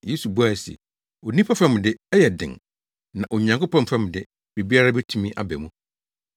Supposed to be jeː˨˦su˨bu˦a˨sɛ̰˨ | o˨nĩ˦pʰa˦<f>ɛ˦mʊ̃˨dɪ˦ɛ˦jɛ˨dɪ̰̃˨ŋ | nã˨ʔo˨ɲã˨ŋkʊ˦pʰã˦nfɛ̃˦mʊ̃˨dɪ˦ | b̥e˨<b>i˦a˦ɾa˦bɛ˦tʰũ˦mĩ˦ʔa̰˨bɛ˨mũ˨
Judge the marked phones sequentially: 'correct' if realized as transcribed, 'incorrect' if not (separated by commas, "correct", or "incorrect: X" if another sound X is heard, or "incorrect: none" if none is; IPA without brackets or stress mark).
correct, correct